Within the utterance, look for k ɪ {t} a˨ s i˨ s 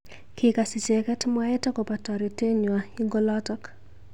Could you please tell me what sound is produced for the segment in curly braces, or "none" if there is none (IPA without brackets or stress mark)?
k